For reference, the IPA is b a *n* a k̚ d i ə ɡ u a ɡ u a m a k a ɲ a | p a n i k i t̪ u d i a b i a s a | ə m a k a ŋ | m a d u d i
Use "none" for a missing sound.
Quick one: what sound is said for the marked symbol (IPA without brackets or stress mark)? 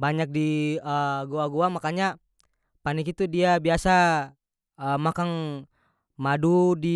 ɲ